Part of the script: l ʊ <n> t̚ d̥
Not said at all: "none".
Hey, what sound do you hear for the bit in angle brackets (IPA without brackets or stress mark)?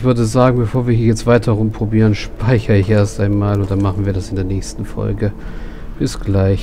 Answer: n